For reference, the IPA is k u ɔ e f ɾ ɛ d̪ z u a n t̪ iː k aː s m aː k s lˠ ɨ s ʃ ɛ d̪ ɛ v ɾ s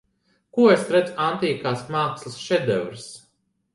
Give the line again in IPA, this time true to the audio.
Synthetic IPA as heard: k u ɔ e s ɾ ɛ d̪ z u a n t̪ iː k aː s m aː k s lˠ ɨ s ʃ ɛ d̪ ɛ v ɾ s